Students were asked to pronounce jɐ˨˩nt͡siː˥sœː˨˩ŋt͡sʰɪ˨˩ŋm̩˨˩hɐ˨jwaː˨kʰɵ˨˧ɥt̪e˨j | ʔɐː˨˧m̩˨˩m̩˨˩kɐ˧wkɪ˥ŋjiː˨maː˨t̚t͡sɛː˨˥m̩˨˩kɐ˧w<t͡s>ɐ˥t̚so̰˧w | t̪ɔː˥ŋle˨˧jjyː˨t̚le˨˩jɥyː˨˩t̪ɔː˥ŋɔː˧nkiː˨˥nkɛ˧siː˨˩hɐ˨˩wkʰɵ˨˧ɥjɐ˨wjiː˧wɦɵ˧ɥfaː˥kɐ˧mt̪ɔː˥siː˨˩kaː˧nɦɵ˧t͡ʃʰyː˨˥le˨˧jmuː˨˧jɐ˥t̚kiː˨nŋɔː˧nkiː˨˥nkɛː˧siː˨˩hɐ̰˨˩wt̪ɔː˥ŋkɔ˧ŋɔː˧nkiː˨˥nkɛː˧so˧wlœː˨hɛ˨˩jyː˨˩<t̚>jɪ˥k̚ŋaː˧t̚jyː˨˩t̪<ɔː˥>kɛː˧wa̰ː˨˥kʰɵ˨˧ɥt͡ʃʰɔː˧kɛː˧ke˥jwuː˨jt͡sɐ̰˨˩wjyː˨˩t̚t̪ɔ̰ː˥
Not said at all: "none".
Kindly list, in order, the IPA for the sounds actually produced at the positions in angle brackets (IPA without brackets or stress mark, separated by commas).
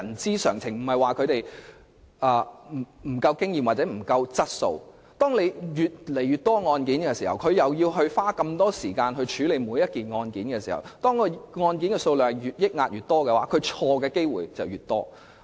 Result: t͡s, t̚, ɔː˥